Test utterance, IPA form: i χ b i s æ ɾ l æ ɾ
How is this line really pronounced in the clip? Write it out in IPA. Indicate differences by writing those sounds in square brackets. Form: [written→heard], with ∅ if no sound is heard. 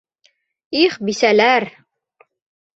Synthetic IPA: i χ b i s æ [ɾ→∅] l æ ɾ